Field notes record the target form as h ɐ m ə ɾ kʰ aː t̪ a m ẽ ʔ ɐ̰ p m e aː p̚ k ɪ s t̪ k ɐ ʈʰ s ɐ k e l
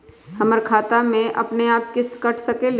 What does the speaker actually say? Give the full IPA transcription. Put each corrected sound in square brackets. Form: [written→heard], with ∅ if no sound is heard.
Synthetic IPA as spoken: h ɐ m ə ɾ kʰ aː t̪ a m ẽ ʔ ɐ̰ p [m→n] e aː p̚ k ɪ s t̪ k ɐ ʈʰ s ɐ k e l